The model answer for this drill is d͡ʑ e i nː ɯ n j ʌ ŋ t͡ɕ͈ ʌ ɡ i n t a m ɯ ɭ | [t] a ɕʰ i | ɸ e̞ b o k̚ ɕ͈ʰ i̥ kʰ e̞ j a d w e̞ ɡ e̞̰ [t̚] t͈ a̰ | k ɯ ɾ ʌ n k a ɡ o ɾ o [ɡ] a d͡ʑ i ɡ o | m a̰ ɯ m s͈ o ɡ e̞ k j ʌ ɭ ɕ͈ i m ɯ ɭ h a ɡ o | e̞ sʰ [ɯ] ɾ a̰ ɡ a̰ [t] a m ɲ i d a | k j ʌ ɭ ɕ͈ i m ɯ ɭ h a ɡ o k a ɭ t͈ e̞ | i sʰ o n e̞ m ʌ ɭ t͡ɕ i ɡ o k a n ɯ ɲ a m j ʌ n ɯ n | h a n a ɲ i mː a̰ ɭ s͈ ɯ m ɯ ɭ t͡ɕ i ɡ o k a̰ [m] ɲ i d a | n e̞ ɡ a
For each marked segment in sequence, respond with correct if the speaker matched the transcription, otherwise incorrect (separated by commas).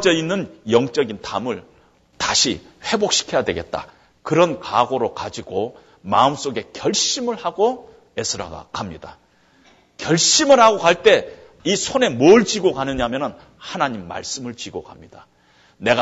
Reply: correct, correct, incorrect, correct, incorrect, correct